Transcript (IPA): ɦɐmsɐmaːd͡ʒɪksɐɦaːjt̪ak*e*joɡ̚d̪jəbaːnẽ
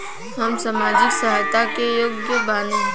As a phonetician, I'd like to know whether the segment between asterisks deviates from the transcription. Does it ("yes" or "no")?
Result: no